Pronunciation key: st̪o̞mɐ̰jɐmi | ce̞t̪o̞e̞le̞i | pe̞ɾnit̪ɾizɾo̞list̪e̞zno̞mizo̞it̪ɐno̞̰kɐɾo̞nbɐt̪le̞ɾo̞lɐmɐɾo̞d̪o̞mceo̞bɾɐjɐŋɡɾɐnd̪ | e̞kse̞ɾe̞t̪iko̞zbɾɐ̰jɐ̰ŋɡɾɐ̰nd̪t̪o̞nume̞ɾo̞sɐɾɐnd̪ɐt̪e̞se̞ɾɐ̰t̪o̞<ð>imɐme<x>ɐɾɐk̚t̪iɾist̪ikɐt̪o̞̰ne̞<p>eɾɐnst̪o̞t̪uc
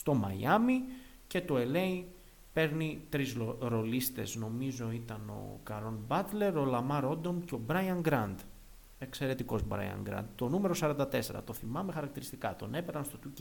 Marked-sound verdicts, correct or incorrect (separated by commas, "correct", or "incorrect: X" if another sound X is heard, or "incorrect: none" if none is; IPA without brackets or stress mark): incorrect: θ, correct, correct